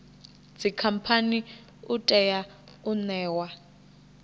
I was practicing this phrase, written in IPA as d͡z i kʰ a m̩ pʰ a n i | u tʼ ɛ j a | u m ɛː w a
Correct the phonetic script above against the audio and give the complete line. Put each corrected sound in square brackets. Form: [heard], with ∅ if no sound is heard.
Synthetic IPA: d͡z i kʰ a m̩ pʰ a n i | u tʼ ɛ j a | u [n] ɛː w a